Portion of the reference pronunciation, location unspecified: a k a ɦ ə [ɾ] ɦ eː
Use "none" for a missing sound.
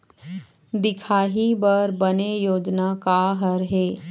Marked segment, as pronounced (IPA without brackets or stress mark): ɾ